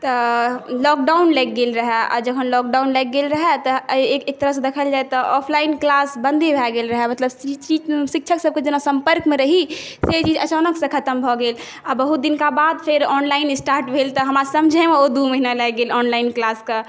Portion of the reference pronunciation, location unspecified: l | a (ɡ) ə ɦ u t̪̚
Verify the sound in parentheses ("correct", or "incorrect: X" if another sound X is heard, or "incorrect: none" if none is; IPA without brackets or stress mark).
incorrect: b